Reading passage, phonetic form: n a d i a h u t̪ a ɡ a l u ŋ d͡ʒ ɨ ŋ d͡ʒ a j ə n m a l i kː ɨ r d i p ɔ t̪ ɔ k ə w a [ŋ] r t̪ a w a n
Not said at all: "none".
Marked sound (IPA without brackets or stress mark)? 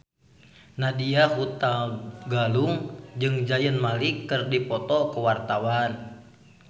none